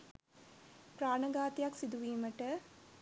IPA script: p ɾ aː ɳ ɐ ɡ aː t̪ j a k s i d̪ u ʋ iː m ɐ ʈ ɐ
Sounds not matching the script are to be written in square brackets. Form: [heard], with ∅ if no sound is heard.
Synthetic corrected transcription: p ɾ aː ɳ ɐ ɡ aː t̪ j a k s i d̪ u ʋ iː m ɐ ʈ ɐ